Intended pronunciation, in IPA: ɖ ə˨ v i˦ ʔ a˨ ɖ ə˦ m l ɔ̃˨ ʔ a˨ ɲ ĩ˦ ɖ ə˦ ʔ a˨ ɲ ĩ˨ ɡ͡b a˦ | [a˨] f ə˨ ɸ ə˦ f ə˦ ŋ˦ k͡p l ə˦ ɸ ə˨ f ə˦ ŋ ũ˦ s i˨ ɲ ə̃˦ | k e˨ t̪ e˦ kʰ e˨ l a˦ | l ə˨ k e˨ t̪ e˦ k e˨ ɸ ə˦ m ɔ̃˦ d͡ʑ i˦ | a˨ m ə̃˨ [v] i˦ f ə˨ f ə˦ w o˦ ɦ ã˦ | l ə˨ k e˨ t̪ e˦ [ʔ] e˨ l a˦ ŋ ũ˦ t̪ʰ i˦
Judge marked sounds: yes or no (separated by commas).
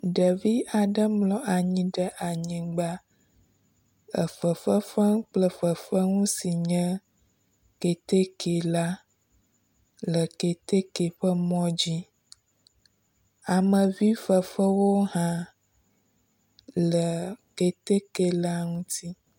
no, yes, no